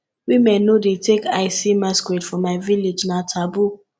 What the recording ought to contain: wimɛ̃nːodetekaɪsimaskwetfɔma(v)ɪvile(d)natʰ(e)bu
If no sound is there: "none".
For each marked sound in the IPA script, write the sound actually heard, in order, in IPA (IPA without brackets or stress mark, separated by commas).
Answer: none, d͡ʒ, a